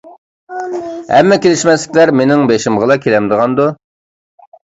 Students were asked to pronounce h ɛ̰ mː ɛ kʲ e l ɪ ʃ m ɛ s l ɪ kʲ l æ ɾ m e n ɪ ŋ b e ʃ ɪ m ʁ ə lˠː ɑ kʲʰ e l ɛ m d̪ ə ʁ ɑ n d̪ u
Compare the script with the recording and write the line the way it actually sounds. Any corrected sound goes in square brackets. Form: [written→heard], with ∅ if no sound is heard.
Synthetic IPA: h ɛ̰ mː ɛ kʲ e l ɪ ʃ m ɛ s l ɪ kʲ l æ ɾ m e n ɪ ŋ b e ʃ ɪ m ʁ ə [lˠː→lˠ] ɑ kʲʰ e l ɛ m d̪ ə ʁ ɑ n d̪ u